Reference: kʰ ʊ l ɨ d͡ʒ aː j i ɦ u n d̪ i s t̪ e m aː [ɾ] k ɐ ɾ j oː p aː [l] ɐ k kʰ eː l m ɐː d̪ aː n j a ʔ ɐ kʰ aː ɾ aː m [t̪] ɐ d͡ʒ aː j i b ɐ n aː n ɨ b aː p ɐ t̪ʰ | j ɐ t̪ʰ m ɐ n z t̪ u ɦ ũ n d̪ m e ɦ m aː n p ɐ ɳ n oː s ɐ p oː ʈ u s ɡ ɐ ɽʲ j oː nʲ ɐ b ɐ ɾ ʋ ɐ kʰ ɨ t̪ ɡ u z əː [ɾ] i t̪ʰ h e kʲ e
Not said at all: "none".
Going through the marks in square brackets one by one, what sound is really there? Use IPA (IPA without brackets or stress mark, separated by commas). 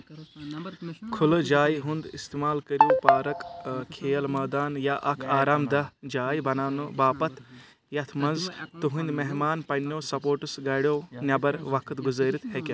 l, ɾ, d̪, ɾ